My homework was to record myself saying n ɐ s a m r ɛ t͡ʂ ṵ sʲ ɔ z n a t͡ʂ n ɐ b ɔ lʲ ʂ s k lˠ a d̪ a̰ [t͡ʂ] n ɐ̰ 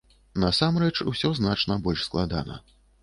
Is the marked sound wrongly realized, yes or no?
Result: yes